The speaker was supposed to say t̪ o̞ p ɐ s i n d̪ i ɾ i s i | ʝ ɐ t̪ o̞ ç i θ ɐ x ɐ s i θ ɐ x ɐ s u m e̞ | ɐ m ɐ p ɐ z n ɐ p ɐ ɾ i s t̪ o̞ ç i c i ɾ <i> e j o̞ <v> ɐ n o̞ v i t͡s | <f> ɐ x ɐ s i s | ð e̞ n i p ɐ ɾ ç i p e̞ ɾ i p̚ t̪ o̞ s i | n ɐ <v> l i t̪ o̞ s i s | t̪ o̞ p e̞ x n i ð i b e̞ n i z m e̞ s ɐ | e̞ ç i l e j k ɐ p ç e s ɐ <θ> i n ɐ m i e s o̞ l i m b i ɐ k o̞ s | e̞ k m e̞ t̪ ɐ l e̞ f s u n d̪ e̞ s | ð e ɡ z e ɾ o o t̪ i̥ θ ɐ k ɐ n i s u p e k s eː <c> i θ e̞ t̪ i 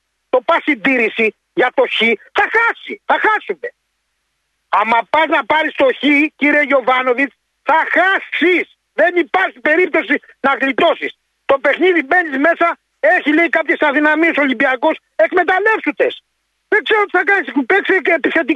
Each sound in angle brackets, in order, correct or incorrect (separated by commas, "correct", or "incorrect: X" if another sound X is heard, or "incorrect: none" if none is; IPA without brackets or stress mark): correct, correct, incorrect: θ, incorrect: ɣ, incorrect: ð, incorrect: p